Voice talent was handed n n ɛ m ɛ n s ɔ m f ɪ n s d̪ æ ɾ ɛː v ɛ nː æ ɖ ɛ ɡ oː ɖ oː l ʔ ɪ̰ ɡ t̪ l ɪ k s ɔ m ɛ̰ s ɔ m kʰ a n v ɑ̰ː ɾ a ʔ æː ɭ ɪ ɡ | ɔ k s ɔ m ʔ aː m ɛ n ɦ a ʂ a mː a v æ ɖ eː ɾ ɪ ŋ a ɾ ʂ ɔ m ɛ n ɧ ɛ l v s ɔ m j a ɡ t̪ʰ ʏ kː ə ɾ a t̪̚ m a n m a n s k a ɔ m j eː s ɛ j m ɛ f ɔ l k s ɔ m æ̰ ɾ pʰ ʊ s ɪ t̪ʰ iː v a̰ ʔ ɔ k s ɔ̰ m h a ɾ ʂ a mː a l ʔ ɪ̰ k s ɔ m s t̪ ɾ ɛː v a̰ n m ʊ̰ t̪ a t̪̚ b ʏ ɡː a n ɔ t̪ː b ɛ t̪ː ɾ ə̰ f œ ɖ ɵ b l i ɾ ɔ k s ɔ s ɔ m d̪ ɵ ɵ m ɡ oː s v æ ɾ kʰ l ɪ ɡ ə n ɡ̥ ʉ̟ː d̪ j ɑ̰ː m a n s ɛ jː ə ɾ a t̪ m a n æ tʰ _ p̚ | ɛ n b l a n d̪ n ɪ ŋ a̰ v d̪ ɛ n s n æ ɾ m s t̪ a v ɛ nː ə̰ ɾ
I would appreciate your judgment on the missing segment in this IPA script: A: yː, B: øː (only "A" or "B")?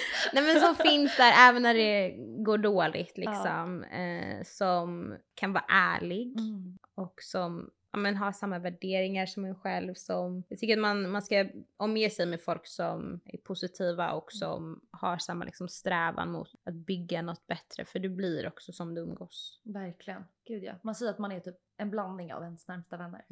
A